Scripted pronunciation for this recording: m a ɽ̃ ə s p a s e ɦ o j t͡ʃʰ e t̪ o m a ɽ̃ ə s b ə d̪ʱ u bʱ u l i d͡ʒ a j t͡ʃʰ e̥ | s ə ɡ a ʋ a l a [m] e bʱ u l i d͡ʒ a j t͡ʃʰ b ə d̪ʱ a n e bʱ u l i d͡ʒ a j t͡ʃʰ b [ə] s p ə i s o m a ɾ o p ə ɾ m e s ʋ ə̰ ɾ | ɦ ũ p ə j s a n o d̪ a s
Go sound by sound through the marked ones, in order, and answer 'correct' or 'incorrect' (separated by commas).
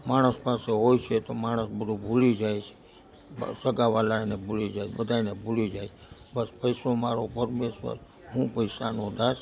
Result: incorrect, correct